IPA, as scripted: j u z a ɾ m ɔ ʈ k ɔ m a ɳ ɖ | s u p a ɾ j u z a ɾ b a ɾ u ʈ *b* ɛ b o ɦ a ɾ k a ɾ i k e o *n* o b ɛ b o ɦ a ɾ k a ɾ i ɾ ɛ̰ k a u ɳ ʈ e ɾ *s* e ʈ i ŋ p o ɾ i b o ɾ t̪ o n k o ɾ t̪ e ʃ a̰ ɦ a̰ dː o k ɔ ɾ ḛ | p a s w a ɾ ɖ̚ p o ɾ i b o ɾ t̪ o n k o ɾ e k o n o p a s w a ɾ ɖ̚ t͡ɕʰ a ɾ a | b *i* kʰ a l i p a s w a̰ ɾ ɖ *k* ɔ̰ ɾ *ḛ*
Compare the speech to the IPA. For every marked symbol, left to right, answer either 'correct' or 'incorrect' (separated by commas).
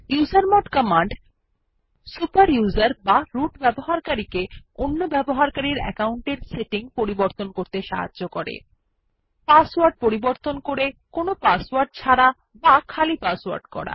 correct, incorrect, correct, incorrect, correct, incorrect